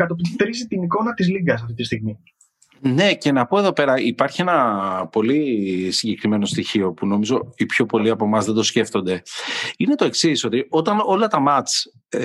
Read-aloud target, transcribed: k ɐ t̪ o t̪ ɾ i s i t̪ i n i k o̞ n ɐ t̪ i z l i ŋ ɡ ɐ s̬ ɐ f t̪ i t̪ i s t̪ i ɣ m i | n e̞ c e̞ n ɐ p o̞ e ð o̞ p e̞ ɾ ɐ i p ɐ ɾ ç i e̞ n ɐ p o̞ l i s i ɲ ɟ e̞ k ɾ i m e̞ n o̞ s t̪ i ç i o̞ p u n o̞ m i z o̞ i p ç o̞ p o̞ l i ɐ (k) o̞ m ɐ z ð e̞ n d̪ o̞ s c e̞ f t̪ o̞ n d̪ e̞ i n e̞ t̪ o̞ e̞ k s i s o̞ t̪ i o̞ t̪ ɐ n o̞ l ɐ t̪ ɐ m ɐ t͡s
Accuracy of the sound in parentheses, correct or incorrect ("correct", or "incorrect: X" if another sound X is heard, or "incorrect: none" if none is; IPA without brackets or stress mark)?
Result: incorrect: p